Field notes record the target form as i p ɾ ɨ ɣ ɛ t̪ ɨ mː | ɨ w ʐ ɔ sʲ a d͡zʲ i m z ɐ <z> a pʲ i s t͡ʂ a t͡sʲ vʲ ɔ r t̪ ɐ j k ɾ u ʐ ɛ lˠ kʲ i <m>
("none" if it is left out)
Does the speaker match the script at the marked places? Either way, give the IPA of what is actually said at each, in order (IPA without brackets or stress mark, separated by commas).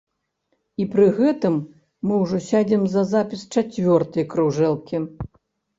z, none